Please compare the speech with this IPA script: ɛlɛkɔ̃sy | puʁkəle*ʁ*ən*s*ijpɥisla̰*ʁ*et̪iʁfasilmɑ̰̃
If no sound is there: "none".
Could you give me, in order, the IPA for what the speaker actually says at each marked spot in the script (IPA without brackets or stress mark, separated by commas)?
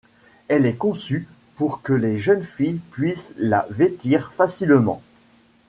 ʒ, f, v